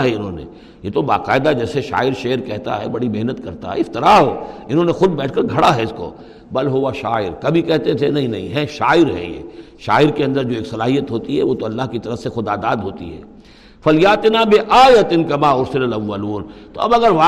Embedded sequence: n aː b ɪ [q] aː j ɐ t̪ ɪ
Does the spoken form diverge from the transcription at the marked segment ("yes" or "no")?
yes